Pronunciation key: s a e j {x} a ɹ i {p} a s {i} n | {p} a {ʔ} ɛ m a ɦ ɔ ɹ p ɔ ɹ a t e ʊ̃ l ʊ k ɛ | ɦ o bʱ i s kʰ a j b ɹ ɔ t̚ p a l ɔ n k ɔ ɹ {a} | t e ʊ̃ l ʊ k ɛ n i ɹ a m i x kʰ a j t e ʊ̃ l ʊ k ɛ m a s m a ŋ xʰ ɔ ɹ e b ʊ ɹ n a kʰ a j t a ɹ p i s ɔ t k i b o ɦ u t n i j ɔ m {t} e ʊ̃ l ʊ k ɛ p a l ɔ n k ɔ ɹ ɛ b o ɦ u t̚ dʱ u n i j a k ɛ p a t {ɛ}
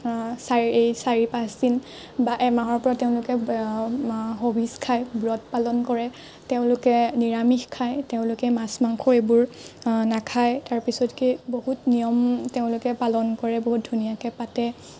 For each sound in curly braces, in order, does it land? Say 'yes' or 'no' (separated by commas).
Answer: no, yes, yes, no, yes, no, yes, yes